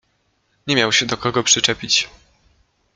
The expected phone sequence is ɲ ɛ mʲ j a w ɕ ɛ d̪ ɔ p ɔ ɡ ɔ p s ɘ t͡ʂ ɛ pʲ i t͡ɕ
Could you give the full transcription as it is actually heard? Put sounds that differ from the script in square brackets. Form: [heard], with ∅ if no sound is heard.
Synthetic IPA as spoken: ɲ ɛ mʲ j a w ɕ ɛ d̪ ɔ [k] ɔ ɡ ɔ p [ʂ] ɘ t͡ʂ ɛ pʲ i t͡ɕ